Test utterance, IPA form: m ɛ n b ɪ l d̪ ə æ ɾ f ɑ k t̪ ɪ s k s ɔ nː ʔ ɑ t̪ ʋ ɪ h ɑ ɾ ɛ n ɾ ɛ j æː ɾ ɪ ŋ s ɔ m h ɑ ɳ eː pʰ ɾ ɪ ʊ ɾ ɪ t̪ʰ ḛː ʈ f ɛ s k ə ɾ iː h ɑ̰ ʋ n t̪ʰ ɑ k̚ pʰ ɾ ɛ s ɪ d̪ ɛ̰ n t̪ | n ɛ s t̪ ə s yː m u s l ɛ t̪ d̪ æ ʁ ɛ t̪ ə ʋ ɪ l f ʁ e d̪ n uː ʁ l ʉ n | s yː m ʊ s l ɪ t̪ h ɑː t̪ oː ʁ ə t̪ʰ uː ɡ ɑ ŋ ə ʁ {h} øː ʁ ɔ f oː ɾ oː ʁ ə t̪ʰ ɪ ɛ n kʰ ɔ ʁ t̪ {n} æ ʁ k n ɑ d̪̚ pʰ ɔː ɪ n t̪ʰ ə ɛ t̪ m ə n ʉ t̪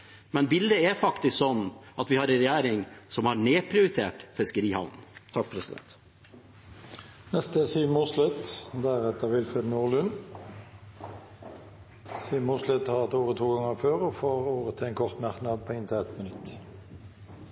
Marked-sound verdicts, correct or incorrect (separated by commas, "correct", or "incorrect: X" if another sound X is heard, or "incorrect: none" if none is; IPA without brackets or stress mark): incorrect: f, incorrect: m